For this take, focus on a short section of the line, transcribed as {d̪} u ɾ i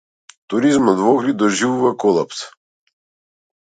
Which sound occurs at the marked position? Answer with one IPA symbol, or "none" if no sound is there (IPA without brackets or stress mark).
t̪